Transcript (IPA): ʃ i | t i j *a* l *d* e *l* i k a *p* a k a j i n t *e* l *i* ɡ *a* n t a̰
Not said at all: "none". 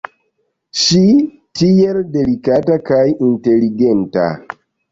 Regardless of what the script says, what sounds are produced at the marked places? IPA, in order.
e, d, l, t, e, i, e

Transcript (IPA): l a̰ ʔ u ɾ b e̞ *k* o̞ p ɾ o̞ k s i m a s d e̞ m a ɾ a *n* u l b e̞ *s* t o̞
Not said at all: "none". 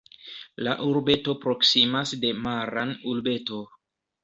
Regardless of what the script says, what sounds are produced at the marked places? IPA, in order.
t, n, none

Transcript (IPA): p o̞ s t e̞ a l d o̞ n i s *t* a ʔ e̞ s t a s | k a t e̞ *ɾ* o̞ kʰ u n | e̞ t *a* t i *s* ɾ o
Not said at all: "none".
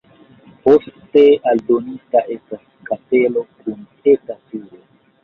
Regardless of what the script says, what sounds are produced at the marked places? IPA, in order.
t, l, a, none

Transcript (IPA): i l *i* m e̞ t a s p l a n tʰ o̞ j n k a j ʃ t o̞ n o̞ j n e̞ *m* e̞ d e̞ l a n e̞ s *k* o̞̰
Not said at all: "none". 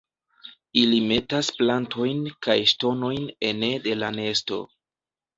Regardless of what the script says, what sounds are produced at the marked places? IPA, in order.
i, n, t

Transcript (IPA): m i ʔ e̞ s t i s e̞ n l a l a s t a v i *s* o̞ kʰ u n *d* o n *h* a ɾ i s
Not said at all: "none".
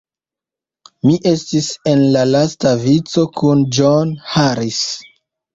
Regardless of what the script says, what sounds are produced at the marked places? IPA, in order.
t͡s, d͡ʒ, h

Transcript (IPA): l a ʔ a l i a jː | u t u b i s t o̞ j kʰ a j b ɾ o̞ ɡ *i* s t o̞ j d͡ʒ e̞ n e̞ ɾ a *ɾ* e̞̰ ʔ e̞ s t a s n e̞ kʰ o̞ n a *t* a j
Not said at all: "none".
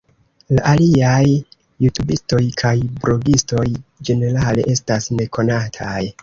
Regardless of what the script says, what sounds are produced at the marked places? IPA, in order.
i, l, tʰ

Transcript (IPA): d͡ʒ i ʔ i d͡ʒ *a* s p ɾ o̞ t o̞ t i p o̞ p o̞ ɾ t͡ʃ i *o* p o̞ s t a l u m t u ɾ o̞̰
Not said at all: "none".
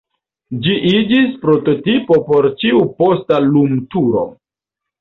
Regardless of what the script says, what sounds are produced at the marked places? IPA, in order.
i, u

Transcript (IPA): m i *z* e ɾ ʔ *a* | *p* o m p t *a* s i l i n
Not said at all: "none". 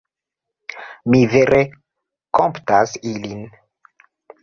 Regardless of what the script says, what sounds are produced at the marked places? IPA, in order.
v, e, k, a

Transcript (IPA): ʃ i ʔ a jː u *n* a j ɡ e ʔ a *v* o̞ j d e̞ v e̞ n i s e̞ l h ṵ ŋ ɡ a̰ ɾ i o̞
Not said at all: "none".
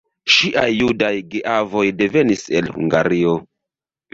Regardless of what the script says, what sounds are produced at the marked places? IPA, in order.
d, v

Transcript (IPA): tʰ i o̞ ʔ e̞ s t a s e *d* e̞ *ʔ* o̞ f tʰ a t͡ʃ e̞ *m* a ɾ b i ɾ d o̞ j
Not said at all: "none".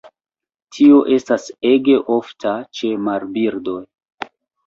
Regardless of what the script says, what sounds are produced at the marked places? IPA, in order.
ɡ, ʔ, m

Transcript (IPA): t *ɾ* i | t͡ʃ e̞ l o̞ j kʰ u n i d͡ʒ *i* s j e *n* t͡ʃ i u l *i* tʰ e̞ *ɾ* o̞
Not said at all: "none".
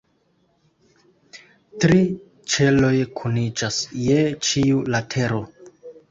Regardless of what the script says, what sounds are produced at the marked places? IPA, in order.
ɾ, a, none, a, ɾ

